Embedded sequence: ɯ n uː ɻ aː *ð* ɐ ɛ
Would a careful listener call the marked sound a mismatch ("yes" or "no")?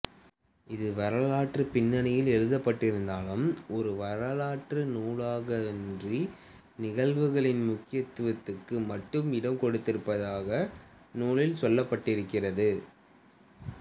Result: yes